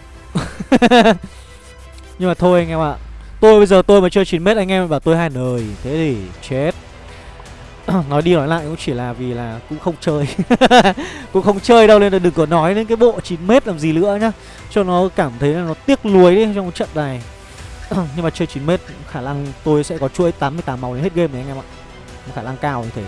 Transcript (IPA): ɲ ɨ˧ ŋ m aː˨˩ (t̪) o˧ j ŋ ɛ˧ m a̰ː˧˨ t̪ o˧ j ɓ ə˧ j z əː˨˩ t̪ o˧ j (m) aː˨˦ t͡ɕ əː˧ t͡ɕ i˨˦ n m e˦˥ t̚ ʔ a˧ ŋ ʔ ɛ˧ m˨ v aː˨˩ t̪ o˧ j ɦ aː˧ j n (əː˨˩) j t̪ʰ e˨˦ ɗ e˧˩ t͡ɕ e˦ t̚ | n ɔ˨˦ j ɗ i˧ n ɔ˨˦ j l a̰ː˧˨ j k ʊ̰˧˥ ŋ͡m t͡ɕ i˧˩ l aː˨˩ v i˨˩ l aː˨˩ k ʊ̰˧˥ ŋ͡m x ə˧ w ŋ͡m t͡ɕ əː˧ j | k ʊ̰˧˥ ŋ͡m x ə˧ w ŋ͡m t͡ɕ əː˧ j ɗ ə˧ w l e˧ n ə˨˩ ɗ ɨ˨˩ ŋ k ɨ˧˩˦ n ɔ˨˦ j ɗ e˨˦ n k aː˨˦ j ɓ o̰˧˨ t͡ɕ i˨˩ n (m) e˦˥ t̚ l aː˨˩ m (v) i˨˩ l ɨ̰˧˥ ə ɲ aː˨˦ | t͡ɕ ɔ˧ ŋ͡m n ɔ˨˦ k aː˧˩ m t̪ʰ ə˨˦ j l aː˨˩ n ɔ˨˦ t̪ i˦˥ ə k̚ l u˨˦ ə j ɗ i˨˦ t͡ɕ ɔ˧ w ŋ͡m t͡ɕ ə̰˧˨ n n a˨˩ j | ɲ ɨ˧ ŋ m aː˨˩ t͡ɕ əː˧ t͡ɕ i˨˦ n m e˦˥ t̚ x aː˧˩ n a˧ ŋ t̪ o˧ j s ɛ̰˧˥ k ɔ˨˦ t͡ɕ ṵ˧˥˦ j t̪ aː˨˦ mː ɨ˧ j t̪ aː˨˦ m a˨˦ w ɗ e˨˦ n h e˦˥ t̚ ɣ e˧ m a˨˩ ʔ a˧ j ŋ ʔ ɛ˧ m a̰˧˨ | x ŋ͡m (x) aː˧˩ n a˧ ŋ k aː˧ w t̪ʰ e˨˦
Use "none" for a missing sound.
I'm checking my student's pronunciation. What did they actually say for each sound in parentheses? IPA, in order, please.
t̪ʰ, m, əː˨˩, m, z, x

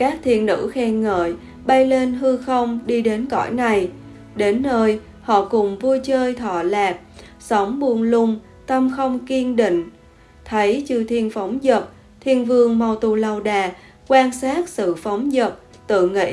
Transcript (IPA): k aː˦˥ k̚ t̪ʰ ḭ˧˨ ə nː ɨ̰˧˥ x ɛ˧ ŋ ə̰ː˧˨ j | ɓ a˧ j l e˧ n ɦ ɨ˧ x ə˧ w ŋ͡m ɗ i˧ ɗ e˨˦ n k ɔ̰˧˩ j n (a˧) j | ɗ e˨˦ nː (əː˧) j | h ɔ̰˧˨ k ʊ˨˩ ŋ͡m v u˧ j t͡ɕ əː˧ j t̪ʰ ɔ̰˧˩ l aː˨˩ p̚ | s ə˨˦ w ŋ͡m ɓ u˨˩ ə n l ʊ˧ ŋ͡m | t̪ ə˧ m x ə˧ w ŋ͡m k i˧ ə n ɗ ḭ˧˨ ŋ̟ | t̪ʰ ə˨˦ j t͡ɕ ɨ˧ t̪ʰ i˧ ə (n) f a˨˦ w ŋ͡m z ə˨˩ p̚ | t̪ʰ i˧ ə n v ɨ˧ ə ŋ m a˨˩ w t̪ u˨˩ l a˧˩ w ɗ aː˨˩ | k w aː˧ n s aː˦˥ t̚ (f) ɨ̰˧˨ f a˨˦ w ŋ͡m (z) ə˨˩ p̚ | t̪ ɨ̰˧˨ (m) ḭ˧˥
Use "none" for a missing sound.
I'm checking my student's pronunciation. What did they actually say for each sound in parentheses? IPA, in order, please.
a˨˩, əː˧, n, s, z, ŋ

